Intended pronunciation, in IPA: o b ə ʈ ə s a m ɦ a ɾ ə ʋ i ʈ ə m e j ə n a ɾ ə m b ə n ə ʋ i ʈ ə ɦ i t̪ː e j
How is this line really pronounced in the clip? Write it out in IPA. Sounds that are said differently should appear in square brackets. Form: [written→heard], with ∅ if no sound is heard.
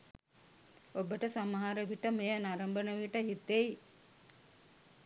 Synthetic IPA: o b ə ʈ ə s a m ɦ a ɾ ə ʋ i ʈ ə m e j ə n a ɾ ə m b ə n ə ʋ i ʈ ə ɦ i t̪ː e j